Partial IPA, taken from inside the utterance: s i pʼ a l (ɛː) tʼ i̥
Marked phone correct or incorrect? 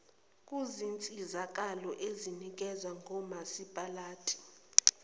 incorrect